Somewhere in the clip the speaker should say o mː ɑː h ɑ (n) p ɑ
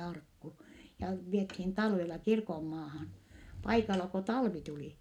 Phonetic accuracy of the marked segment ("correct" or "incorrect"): correct